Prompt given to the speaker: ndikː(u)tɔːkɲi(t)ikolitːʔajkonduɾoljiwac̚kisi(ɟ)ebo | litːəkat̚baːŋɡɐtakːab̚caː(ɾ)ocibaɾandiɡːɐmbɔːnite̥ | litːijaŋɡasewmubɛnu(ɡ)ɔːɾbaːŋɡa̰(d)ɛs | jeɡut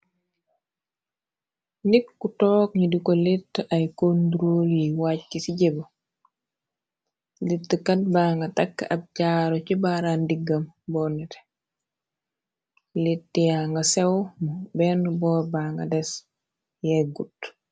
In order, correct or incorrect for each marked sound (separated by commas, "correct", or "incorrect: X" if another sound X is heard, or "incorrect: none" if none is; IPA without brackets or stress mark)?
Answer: correct, incorrect: d, correct, correct, incorrect: b, correct